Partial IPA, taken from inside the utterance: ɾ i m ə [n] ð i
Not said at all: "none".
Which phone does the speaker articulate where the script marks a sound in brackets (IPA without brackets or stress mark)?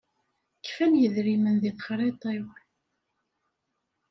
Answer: n